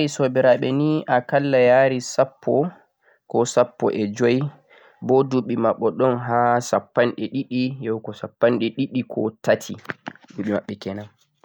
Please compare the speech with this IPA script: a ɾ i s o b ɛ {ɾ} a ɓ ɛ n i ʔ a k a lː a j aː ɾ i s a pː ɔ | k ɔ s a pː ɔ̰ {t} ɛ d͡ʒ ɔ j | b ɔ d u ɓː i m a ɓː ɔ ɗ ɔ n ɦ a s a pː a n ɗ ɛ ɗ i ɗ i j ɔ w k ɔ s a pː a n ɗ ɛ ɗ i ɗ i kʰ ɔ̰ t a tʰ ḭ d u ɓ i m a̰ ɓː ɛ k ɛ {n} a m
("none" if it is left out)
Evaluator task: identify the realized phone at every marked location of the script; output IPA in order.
ɾ, ʔ, n

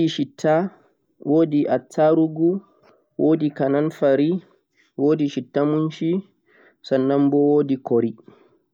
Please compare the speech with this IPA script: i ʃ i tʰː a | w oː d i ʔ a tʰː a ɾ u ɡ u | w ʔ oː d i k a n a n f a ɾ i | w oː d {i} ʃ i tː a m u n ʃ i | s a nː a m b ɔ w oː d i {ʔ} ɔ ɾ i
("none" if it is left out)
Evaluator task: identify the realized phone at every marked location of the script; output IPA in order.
i, k

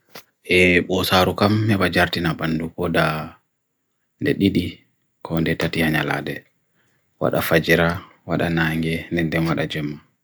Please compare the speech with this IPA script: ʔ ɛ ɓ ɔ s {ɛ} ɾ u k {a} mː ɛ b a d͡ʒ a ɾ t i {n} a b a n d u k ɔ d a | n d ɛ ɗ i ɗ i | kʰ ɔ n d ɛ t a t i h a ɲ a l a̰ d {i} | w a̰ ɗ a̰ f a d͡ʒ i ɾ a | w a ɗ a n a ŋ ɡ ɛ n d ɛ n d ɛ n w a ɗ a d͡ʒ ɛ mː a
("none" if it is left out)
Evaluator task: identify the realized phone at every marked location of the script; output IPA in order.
a, a, n, ɛ

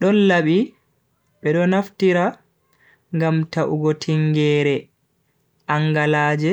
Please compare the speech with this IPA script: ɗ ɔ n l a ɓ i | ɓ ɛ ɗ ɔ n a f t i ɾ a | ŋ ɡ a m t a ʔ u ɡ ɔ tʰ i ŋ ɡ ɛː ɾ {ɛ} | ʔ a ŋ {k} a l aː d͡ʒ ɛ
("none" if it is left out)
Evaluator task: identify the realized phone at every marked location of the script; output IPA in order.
ɛ, ɡ

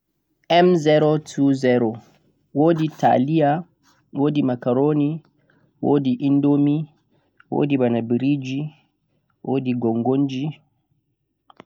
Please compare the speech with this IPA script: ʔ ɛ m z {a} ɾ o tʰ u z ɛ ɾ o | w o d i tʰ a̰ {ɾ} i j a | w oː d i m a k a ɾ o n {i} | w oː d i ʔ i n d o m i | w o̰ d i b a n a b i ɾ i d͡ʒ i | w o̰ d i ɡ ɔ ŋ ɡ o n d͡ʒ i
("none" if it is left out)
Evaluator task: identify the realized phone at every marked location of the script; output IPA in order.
ɛ, l, i

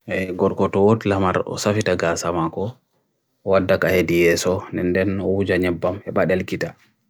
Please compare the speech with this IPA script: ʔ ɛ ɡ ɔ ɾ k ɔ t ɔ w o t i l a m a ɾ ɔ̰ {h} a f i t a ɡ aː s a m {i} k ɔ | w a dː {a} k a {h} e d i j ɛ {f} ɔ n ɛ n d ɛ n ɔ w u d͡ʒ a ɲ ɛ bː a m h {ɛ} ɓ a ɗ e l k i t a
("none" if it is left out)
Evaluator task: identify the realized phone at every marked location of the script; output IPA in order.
s, a, a, h, s, ɛ

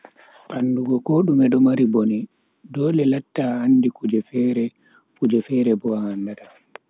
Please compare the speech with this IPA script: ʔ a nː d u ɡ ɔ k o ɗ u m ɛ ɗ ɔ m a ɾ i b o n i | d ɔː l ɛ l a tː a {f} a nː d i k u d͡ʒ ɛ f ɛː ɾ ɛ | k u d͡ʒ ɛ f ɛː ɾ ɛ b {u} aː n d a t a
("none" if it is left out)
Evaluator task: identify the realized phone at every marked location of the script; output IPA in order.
none, ɔ

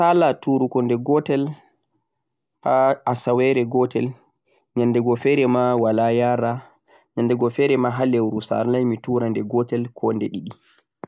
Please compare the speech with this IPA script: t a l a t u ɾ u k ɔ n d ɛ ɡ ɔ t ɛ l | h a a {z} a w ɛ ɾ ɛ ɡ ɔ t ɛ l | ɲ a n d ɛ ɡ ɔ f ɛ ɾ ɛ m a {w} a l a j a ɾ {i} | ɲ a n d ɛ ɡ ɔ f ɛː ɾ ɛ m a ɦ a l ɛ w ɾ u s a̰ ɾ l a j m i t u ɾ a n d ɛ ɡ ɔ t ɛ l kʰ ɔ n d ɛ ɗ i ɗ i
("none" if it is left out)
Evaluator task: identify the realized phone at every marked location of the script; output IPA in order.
s, w, a

